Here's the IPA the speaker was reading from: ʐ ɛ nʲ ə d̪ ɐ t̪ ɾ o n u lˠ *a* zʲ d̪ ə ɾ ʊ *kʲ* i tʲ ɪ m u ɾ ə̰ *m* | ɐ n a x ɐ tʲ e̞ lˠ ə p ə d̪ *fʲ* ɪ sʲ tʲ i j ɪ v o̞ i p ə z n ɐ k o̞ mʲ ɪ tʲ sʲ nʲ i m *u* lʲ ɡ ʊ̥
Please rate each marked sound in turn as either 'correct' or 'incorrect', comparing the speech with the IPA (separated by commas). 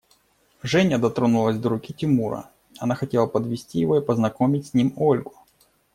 incorrect, correct, incorrect, incorrect, incorrect